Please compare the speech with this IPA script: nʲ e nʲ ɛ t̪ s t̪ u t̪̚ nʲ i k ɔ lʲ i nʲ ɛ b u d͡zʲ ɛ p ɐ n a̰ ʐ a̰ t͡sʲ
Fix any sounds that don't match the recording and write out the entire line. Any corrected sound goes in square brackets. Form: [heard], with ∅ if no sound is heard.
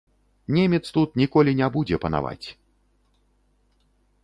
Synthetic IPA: nʲ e [mʲ] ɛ t̪ s t̪ u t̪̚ nʲ i k ɔ lʲ i nʲ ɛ b u d͡zʲ ɛ p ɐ n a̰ [v] a̰ t͡sʲ